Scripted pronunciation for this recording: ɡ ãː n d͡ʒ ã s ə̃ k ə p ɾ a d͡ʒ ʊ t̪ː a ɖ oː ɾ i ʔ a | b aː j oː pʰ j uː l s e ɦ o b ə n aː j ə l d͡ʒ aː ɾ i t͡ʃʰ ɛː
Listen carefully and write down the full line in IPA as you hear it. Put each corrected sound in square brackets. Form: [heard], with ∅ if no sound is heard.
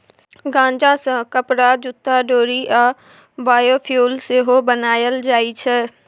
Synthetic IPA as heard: ɡ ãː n d͡ʒ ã s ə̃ k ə p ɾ a d͡ʒ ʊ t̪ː a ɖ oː ɾ i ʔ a | b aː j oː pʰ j uː l s e ɦ o b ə n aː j ə l d͡ʒ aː [∅] i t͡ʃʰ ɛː

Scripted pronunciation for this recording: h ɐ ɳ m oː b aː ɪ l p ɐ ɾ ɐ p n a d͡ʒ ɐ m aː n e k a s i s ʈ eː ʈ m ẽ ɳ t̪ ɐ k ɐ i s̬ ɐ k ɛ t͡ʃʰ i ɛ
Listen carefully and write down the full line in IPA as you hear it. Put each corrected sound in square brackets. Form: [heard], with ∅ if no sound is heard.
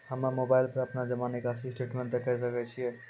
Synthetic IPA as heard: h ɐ [m] m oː b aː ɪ l p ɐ ɾ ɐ p n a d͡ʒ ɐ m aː n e k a s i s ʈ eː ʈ m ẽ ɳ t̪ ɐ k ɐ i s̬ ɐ k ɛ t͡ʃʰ i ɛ

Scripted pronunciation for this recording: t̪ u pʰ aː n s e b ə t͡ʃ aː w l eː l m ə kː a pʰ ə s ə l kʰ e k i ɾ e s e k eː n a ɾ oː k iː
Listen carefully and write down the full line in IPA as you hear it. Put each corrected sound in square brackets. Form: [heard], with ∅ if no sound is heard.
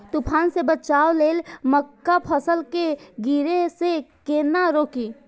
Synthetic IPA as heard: t̪ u pʰ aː n s e b ə t͡ʃ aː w l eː l m ə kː a pʰ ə s ə l [k] e [ɡ] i ɾ e s e k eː n a ɾ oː k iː

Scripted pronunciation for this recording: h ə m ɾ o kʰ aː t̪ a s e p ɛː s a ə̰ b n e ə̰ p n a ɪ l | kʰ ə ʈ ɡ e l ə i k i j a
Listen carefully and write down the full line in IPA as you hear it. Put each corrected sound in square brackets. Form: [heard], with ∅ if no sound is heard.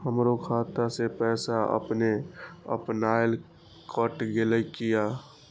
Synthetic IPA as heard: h ə m ɾ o kʰ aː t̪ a s e p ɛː s a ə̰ [p] n e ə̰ p n a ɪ l | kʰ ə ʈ ɡ e l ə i k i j a

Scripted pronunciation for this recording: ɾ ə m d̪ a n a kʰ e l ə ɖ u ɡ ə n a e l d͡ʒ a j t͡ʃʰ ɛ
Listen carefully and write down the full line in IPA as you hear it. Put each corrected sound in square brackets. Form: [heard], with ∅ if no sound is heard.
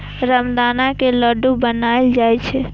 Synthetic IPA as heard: ɾ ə m d̪ a n a [k] e l ə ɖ u [b] ə n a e l d͡ʒ a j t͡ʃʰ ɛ

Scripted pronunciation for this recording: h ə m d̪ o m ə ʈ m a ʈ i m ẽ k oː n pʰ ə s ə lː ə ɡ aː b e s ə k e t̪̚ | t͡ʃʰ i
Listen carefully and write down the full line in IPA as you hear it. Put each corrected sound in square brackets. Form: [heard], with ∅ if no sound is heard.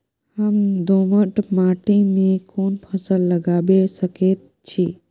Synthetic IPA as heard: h ə m d̪ o m ə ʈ m a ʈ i m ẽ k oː n pʰ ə s ə lː ə ɡ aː b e s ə k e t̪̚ | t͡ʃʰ i

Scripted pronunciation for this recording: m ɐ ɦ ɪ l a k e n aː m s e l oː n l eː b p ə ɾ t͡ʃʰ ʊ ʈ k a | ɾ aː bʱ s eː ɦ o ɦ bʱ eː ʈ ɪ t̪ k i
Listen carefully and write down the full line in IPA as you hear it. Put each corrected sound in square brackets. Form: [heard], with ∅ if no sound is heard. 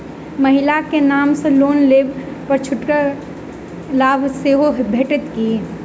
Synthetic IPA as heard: m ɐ ɦ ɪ l a k e n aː m s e l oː n l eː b p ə ɾ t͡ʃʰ ʊ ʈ k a | [l] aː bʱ s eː ɦ o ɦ bʱ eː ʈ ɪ t̪ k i

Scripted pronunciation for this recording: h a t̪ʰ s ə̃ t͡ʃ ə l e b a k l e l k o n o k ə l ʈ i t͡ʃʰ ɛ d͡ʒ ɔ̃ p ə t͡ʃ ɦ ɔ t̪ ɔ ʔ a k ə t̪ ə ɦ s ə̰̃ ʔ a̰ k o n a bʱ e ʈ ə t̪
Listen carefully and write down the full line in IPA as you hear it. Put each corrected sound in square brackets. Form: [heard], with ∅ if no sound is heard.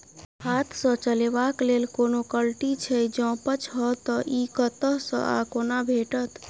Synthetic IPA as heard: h a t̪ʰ s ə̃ t͡ʃ ə l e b a k l e l k o n o k ə l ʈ i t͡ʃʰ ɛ d͡ʒ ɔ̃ p ə t͡ʃ ɦ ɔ t̪ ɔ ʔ [i] k ə t̪ ə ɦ s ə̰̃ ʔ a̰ k o n a bʱ e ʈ ə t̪

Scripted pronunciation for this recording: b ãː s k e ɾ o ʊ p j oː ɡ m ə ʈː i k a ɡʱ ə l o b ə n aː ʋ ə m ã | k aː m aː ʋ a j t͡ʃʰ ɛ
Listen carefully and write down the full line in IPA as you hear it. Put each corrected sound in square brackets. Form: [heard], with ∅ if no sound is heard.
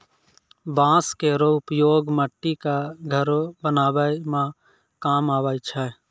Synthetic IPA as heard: b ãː s k e ɾ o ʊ p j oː ɡ m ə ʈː i k a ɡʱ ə [ɾ] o b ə n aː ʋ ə m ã | k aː m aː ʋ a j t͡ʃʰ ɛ

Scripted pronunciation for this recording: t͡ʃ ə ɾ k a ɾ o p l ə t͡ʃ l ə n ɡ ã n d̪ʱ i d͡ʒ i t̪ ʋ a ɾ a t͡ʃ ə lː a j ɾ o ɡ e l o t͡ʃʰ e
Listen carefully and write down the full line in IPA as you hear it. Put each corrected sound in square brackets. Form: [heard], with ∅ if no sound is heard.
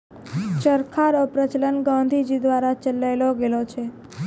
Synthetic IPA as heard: t͡ʃ ə ɾ [kʰ] a ɾ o p [ɾ] ə t͡ʃ l ə n ɡ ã n d̪ʱ i d͡ʒ i [d̪] ʋ a ɾ a t͡ʃ ə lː a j [l] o ɡ e l o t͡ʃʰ e

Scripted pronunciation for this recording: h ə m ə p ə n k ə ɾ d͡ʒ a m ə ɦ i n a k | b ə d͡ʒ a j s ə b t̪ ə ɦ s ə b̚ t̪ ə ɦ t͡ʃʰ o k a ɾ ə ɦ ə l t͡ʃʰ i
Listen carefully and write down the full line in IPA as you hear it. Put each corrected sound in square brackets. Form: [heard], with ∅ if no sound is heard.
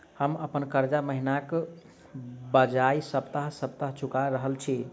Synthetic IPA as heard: h ə m ə p ə n k ə ɾ d͡ʒ a m ə ɦ i n a k | b ə d͡ʒ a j s ə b t̪ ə ɦ s ə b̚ t̪ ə ɦ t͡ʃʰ [u] k a ɾ ə ɦ ə l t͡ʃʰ i

